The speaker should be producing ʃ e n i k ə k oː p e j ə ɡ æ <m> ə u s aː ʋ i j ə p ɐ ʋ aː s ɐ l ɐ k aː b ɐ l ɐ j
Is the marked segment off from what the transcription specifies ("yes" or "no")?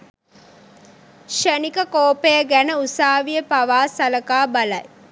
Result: yes